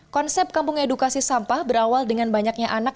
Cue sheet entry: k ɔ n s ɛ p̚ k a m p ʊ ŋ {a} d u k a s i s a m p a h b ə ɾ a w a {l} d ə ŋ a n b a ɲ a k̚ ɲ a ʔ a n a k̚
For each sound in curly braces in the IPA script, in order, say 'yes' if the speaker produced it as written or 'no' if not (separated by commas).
no, yes